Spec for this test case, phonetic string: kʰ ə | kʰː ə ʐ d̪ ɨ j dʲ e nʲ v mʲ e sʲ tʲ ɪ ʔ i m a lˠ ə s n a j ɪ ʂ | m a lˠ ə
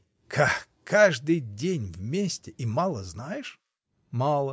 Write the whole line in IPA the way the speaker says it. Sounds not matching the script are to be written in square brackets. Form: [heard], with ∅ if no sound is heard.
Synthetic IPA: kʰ [a] | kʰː [a] ʐ d̪ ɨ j dʲ e nʲ v mʲ e sʲ tʲ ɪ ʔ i m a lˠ ə [z] n a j ɪ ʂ | m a lˠ ə